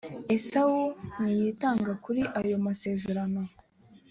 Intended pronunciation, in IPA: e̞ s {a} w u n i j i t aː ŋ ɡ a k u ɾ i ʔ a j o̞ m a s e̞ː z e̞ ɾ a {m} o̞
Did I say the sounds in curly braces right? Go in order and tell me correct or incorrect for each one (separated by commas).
correct, incorrect